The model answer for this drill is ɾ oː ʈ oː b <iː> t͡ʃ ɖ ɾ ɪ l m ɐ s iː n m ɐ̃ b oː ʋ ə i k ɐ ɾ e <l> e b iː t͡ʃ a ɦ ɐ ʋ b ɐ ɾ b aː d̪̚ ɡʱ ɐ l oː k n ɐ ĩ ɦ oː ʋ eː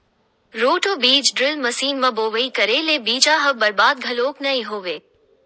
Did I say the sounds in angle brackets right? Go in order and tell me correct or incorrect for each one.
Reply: correct, correct

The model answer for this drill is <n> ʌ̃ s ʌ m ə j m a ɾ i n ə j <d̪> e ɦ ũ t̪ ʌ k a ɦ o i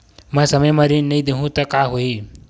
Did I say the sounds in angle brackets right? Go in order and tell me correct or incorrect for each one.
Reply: incorrect, correct

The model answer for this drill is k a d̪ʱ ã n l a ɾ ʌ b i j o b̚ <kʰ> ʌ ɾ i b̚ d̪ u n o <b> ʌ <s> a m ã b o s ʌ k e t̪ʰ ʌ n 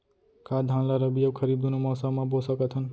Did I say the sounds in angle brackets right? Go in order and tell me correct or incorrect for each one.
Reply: correct, incorrect, correct

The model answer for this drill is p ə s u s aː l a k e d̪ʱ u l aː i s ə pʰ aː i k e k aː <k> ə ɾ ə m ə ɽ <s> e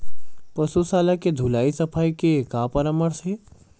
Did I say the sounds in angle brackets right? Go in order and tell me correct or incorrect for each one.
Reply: incorrect, correct

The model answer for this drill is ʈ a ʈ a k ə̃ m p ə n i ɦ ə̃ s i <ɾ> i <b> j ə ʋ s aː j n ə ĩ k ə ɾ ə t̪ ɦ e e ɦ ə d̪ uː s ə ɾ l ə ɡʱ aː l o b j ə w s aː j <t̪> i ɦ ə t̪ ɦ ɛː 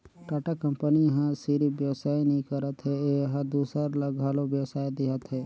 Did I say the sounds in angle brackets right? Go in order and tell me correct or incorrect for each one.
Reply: correct, correct, incorrect

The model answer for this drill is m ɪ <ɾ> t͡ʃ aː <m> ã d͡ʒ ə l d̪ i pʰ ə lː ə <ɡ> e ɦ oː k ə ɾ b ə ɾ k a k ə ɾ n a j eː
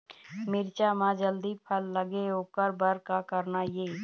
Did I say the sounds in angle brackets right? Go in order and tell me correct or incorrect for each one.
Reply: correct, correct, correct

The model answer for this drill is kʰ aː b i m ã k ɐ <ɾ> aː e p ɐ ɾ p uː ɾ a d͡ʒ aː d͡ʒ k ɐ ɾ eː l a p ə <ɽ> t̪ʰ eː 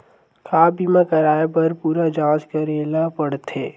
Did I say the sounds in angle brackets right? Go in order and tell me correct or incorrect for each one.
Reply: correct, correct

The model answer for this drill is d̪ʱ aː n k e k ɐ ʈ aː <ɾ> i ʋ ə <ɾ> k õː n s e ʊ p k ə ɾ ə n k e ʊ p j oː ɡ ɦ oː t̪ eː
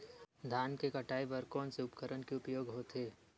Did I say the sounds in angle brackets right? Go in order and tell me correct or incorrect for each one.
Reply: incorrect, correct

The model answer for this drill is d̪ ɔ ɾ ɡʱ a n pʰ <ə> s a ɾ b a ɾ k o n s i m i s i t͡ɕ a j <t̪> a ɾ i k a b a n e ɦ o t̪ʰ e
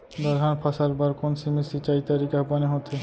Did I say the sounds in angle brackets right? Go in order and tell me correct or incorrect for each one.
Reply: incorrect, correct

